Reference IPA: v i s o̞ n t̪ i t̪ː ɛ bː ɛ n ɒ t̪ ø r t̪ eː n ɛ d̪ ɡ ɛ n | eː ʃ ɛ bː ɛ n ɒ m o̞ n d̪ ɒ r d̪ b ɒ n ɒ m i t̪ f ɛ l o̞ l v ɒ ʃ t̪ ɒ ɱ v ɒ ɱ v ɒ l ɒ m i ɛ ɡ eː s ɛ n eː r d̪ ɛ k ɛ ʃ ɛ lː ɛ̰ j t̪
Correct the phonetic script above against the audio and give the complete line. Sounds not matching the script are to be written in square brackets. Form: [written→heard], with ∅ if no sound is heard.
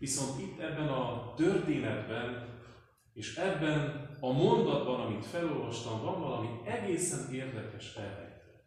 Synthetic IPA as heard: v i s o̞ n t̪ i t̪ː ɛ bː ɛ n ɒ t̪ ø r t̪ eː n ɛ d̪ [ɡ→b] ɛ n | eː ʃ ɛ bː ɛ n ɒ m o̞ n d̪ ɒ [r→∅] d̪ b ɒ n ɒ m i t̪ f ɛ l o̞ l v ɒ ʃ t̪ ɒ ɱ v ɒ ɱ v ɒ l ɒ m i ɛ ɡ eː s ɛ n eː r d̪ ɛ k ɛ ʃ ɛ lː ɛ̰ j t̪